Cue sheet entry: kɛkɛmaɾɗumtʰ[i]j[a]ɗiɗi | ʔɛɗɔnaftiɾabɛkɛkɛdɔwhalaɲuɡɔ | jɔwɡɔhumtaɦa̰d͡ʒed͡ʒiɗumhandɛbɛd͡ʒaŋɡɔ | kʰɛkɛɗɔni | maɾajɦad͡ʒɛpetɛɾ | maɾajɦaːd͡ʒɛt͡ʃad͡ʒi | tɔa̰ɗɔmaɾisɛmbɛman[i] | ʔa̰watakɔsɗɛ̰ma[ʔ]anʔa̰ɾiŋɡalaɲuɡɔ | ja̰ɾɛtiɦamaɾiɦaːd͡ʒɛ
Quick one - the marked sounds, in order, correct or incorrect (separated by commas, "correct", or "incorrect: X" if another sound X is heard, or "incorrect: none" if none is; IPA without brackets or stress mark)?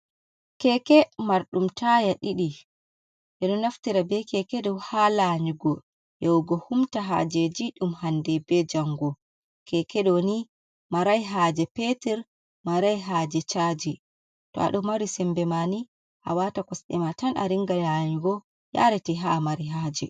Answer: incorrect: a, correct, correct, incorrect: t